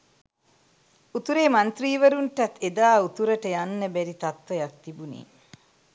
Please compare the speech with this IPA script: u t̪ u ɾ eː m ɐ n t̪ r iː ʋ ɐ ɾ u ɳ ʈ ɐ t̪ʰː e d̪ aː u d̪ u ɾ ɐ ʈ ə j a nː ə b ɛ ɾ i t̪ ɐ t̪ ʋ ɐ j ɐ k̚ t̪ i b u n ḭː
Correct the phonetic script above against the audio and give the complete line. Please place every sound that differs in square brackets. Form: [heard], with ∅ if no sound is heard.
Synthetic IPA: u t̪ u ɾ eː m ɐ n t̪ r iː ʋ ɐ ɾ u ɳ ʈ ɐ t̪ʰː e d̪ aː u [t̪] u ɾ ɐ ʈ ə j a nː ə b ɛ ɾ i t̪ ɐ t̪ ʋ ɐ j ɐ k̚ t̪ i b u n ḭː